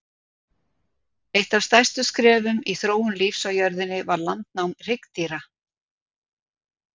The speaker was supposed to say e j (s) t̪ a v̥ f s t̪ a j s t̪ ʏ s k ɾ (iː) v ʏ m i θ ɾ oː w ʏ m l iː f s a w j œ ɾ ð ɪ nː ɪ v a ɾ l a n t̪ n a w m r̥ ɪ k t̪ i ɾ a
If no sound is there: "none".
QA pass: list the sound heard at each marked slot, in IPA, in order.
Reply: h, ɛː

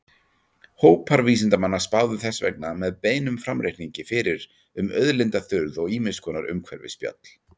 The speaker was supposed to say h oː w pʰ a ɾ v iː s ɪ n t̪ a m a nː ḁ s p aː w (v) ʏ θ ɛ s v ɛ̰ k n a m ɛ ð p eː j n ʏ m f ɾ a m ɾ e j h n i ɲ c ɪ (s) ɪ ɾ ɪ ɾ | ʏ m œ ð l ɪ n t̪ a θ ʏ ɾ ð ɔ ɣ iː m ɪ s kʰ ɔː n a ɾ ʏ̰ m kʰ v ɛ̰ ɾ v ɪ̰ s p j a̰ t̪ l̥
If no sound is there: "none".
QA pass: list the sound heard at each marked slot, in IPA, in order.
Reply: ð, f

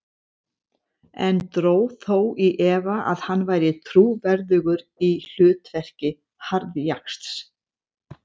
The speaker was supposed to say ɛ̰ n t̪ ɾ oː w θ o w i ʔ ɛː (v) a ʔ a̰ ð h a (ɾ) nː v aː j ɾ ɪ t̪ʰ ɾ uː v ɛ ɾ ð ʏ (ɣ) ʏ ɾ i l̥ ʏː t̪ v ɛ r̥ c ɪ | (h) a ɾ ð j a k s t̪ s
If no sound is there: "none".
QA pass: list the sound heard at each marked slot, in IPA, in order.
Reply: v, none, ɣ, h

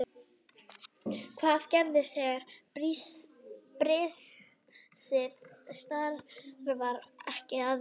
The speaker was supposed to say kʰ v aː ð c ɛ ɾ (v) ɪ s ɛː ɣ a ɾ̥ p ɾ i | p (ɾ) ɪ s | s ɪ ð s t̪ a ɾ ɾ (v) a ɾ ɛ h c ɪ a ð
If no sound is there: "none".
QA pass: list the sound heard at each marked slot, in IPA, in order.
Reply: ð, ɾ, v

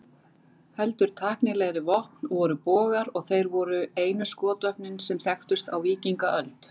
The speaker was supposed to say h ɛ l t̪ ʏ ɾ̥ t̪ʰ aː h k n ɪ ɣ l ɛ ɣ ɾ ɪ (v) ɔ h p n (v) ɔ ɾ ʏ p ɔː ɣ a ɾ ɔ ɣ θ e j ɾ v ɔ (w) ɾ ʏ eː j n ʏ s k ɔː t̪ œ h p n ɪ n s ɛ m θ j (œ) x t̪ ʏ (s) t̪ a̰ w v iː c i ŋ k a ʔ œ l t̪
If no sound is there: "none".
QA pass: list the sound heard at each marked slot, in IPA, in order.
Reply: v, v, none, ɛ, s

